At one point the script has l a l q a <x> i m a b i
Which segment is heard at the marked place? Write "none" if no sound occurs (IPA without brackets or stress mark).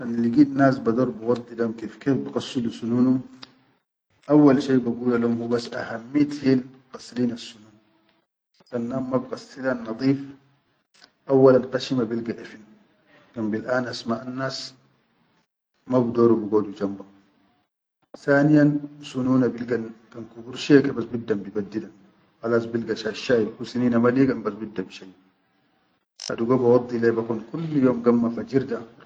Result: ʃ